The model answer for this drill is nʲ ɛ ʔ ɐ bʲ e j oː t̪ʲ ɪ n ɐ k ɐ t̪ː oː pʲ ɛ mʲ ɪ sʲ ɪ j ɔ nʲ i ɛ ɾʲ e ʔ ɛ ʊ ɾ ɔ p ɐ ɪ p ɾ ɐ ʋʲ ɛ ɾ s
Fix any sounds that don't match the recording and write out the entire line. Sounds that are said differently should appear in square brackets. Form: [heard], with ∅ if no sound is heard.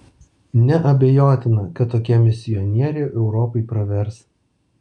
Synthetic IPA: nʲ ɛ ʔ ɐ bʲ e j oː t̪ʲ ɪ n ɐ k ɐ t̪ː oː [kʲ] ɛ mʲ ɪ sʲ ɪ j ɔ nʲ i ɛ ɾʲ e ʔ ɛ ʊ ɾ ɔ p ɐ ɪ p ɾ ɐ ʋʲ ɛ ɾ s